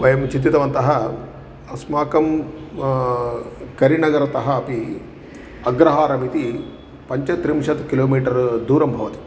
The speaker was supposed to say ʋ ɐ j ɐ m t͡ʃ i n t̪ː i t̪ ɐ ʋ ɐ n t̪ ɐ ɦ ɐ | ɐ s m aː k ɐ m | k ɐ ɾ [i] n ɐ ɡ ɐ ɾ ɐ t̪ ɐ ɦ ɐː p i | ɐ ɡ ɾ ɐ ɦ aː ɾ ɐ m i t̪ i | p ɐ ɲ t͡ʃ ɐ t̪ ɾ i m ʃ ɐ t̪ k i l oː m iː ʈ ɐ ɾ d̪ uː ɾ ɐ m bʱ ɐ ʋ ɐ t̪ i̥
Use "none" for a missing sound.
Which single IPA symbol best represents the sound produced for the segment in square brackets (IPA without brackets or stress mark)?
i